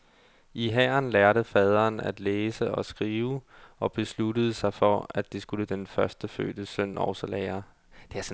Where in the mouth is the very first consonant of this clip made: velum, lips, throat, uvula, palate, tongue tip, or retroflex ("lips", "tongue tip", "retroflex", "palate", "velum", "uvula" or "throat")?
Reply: throat